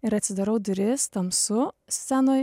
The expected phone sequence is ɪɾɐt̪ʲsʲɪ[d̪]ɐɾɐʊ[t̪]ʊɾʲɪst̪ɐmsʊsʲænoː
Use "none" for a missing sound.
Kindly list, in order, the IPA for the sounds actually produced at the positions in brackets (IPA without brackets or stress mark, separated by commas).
d̪, d̪